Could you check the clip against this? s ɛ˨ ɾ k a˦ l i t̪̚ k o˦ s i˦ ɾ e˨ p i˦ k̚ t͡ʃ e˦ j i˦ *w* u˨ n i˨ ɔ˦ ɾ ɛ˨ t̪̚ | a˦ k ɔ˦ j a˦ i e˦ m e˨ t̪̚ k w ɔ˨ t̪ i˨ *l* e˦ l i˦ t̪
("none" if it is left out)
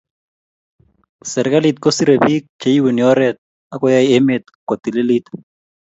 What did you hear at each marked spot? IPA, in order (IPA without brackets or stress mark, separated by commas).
w, l